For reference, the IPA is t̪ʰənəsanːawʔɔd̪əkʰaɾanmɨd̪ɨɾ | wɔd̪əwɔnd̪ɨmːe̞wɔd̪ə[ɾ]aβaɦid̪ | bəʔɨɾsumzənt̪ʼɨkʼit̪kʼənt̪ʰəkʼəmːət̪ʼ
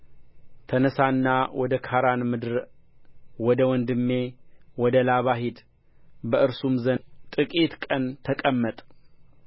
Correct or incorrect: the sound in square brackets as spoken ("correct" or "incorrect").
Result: incorrect